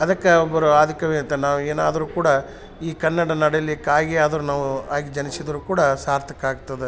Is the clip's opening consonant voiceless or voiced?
voiced